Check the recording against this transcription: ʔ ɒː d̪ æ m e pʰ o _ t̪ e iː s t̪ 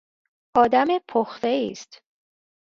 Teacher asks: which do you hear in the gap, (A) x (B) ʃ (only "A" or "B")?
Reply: A